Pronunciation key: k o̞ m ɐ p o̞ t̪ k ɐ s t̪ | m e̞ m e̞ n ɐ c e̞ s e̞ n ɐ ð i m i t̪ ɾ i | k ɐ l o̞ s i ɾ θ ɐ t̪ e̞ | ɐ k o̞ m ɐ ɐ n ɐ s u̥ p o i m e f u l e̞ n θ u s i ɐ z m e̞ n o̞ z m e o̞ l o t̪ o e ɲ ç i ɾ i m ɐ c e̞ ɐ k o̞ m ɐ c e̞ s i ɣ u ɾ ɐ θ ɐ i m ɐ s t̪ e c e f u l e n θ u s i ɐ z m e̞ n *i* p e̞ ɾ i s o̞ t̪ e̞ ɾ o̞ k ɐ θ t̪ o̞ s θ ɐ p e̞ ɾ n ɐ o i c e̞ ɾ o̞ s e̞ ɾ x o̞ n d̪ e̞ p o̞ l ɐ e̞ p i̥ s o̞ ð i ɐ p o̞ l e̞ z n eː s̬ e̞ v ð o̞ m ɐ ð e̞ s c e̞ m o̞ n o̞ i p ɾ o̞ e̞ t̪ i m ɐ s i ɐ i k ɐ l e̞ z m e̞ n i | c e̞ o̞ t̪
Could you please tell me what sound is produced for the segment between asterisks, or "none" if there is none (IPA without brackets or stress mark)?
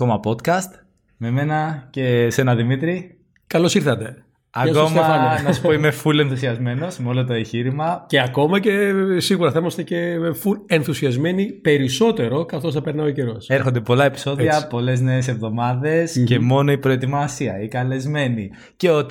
i